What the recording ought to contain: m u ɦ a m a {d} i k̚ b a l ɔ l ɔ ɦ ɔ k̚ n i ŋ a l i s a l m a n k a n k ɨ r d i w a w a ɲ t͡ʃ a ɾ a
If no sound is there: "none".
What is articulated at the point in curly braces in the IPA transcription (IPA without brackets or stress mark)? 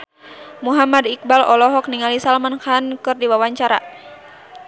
d